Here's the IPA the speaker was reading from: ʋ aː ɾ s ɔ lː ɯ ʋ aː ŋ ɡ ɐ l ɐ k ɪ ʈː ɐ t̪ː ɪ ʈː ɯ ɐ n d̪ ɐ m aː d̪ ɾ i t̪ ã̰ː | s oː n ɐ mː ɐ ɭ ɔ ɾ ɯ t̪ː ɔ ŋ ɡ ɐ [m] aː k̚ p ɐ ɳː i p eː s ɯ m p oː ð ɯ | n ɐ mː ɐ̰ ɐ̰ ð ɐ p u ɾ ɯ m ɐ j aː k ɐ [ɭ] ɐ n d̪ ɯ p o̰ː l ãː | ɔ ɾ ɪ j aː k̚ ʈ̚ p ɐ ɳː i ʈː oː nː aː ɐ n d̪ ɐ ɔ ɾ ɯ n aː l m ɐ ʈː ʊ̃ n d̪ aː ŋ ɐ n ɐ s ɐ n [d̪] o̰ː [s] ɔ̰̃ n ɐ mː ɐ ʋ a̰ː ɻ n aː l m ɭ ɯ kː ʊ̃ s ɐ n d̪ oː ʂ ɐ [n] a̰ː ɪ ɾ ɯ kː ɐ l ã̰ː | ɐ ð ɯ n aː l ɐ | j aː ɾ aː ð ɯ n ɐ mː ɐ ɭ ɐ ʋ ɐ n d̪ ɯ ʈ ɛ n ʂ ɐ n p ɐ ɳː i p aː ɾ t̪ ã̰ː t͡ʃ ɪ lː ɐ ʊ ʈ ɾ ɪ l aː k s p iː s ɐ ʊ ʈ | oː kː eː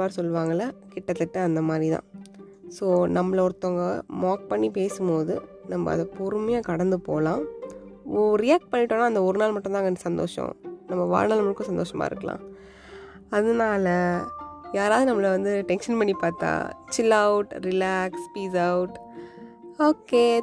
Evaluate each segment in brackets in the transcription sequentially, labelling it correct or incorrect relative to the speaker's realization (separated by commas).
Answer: correct, incorrect, correct, incorrect, incorrect